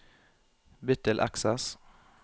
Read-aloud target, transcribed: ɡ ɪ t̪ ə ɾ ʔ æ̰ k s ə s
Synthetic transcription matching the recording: b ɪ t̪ ə l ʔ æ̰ k s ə s